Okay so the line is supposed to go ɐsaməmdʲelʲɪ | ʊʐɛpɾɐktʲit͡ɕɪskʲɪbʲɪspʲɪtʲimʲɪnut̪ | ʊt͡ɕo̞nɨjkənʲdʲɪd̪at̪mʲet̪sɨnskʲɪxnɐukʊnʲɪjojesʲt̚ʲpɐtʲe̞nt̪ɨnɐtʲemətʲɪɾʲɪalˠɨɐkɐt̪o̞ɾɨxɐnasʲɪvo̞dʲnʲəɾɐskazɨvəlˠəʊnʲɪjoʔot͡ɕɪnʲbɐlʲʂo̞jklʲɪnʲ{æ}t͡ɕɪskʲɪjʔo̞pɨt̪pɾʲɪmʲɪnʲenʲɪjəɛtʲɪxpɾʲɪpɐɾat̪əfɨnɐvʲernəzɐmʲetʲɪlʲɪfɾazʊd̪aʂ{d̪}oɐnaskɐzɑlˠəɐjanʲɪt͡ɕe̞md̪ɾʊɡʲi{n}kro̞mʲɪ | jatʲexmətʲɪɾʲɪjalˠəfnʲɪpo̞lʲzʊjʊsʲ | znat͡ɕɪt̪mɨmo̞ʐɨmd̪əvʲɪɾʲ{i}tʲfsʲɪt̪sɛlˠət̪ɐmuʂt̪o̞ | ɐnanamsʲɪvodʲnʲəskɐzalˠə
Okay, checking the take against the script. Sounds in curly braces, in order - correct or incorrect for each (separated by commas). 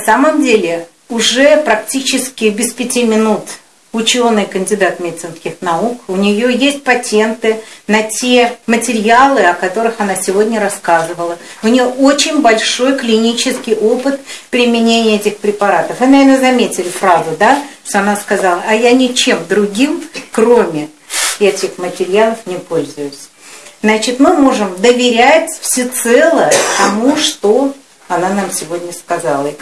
incorrect, incorrect, incorrect, incorrect